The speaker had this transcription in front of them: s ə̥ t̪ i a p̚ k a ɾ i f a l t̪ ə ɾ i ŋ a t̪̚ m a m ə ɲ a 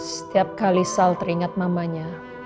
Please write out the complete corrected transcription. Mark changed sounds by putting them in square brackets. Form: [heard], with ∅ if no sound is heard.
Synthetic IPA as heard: s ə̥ t̪ i a p̚ k a [l] i [s] a l t̪ ə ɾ i ŋ a t̪̚ m a m [a] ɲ a